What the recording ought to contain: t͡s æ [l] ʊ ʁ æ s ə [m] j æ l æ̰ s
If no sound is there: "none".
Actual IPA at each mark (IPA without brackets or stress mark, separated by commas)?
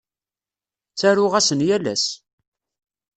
ɾ, n